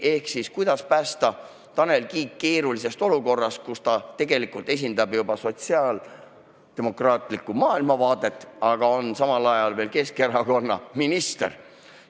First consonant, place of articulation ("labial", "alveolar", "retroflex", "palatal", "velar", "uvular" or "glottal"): glottal